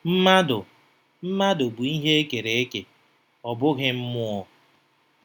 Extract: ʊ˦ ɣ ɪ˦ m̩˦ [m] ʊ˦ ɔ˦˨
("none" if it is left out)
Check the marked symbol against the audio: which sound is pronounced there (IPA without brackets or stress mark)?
m